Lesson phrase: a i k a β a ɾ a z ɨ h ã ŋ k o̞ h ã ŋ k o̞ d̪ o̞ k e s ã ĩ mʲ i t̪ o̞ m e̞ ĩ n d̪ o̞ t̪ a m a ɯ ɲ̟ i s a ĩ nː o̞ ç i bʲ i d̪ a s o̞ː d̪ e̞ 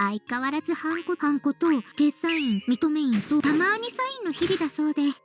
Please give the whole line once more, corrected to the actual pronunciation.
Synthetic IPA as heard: a i k a β a ɾ a z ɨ h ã ŋ k o̞ h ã ŋ k o̞ t̪ o̞ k e s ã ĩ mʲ i t̪ o̞ m e̞ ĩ n t̪ o̞ t̪ a m a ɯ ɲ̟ i s a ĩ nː o̞ ç i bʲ i d̪ a s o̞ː d̪ e̞

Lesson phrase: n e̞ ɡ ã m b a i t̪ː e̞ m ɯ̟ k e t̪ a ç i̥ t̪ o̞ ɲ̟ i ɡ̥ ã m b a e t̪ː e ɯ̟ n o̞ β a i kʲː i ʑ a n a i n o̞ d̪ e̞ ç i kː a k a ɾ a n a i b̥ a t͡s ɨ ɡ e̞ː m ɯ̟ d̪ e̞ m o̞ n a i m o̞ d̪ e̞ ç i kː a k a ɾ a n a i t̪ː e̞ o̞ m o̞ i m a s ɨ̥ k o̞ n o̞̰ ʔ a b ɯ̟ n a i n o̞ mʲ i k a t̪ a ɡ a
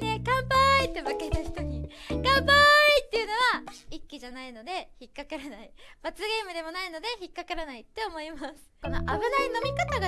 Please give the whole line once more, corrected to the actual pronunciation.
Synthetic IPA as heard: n e̞ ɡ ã m b a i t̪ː e̞ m ɯ̟ k e t̪ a ç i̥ t̪ o̞ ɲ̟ i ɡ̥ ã m b a i t̪ː e ɯ̟ n o̞ β a i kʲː i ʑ a n a i n o̞ d̪ e̞ ç i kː a k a ɾ a n a i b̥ a t͡s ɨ ɡ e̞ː m ɯ̟ d̪ e̞ m o̞ n a i n o̞ d̪ e̞ ç i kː a k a ɾ a n a i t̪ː e̞ o̞ m o̞ i m a s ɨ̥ k o̞ n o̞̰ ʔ a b ɯ̟ n a i n o̞ mʲ i k a t̪ a ɡ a

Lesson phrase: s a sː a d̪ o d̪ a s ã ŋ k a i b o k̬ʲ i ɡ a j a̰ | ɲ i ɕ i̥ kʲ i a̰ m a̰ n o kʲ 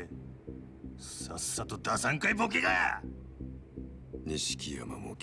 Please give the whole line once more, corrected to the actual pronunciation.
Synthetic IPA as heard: s a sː a t̪ o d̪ a s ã ŋ k a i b o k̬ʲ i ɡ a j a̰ | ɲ i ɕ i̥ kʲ i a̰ m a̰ m o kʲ

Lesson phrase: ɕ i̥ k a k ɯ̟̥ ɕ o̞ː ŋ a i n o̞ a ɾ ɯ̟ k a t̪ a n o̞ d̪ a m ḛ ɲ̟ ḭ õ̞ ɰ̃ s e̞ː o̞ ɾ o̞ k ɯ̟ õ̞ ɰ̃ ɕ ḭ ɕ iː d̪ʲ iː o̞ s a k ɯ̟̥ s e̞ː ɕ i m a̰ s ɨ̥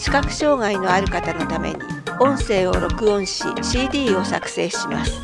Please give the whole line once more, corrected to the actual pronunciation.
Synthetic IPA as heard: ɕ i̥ k a k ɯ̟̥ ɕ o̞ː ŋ a i n o̞ a ɾ ɯ̟ k a t̪ a n o̞ t̪ a m ḛ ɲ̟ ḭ õ̞ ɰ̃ s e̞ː o̞ ɾ o̞ k ɯ̟ õ̞ ɰ̃ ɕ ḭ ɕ iː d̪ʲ iː o̞ s a k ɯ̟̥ s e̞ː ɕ i m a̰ s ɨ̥

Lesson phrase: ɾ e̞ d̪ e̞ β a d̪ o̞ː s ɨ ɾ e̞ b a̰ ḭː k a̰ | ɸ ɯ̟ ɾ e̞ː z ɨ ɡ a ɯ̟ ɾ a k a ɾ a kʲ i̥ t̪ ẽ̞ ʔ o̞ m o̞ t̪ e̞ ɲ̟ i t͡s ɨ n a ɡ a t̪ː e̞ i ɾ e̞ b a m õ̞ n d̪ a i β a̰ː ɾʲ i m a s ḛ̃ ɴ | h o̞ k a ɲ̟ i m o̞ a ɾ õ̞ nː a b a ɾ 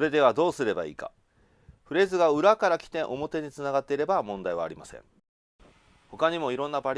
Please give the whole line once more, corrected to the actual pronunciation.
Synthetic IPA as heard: ɾ e̞ d̪ e̞ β a d̪ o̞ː s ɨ ɾ e̞ b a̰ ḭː k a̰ | ɸ ɯ̟ ɾ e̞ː z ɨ ɡ a ɯ̟ ɾ a k a ɾ a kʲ i̥ t̪ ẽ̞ ʔ o̞ m o̞ t̪ e̞ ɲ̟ i t͡s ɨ n a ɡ a t̪ː e̞ i ɾ e̞ b a m õ̞ n d̪ a i β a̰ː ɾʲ i m a s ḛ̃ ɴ | h o̞ k a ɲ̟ i m o̞ i ɾ õ̞ nː a b a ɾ

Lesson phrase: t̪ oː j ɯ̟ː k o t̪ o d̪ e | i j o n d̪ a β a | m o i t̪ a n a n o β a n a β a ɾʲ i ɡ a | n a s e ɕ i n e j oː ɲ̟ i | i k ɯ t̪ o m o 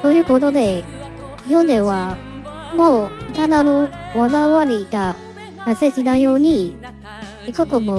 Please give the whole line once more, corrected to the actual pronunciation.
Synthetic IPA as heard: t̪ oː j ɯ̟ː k o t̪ o d̪ e | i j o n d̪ e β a | m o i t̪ a n a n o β a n a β a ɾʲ i ɡ a | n a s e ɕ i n a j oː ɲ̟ i | i k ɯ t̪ o m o

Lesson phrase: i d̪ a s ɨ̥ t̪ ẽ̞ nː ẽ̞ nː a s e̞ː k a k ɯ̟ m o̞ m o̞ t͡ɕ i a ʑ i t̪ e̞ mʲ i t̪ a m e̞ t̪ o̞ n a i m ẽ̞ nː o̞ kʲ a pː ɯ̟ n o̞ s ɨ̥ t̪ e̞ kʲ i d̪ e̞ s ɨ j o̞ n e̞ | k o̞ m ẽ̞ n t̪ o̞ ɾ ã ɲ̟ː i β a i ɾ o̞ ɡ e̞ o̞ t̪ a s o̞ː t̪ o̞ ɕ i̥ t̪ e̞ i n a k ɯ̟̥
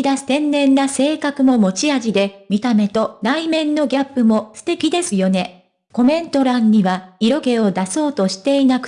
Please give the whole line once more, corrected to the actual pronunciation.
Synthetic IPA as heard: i d̪ a s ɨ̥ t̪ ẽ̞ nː ẽ̞ nː a s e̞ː k a k ɯ̟ m o̞ m o̞ t͡ɕ i a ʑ i d̪ e̞ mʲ i t̪ a m e̞ t̪ o̞ n a i m ẽ̞ nː o̞ ɡʲ a pː ɯ̟ m o̞ s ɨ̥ t̪ e̞ kʲ i d̪ e̞ s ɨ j o̞ n e̞ | k o̞ m ẽ̞ n t̪ o̞ ɾ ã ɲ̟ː i β a i ɾ o̞ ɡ e̞ o̞ d̪ a s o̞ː t̪ o̞ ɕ i̥ t̪ e̞ i n a k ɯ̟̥

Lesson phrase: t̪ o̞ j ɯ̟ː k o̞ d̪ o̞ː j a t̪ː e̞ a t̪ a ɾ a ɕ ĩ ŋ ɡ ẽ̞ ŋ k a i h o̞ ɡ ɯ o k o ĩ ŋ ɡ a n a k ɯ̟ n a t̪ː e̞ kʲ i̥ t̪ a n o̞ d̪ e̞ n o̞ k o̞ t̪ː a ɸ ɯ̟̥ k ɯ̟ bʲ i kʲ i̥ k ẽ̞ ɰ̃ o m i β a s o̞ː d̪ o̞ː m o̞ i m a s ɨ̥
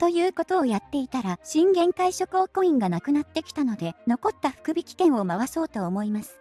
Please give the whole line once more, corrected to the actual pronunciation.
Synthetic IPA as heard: t̪ o̞ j ɯ̟ː k o̞ t̪ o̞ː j a t̪ː e̞ i t̪ a ɾ a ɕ ĩ ŋ ɡ ẽ̞ ŋ k a i ɕ o̞ k ɯ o k o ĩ ŋ ɡ a n a k ɯ̟ n a t̪ː e̞ kʲ i̥ t̪ a n o̞ d̪ e̞ n o̞ k o̞ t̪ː a ɸ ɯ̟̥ k ɯ̟ bʲ i kʲ i̥ k ẽ̞ ɰ̃ o m a β a s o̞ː t̪ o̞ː m o̞ i m a s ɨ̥

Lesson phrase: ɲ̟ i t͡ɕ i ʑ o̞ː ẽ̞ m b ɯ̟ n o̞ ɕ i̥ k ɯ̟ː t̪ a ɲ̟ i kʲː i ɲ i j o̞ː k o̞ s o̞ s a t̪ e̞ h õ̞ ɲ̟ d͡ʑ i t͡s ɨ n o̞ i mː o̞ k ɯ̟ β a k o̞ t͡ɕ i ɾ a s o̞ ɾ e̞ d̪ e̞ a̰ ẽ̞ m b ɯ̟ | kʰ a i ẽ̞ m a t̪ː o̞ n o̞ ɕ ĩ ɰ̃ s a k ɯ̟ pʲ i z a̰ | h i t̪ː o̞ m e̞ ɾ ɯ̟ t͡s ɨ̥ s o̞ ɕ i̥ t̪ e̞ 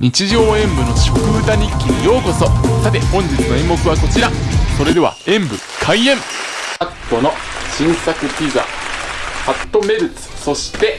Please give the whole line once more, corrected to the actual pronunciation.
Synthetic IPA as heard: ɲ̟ i t͡ɕ i ʑ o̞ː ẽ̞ m b ɯ̟ n o̞ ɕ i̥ k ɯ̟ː t̪ a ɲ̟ i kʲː i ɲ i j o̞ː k o̞ s o̞ s a t̪ e̞ h õ̞ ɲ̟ d͡ʑ i t͡s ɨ n o̞ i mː o̞ k ɯ̟ β a k o̞ t͡ɕ i ɾ a s o̞ ɾ e̞ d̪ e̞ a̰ ẽ̞ m b ɯ̟ | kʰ a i ẽ̞ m a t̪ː o̞ n o̞ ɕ ĩ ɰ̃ s a k ɯ̟ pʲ i z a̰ | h a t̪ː o̞ m e̞ ɾ ɯ̟ t͡s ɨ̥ s o̞ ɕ i̥ t̪ e̞

